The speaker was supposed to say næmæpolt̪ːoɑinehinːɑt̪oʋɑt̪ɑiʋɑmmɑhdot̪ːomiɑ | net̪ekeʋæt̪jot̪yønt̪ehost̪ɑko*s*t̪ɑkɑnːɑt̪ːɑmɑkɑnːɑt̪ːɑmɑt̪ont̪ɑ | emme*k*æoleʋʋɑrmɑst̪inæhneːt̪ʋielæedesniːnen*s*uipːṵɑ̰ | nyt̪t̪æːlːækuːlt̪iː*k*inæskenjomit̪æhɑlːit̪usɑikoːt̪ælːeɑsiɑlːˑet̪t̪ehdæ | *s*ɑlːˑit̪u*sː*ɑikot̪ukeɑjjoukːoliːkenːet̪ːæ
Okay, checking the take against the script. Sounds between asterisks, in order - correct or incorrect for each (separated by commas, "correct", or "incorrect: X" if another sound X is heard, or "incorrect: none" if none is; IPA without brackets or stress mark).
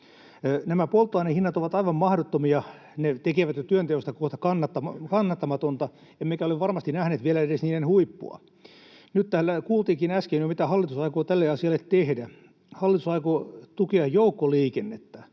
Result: incorrect: h, correct, incorrect: h, correct, incorrect: h, incorrect: s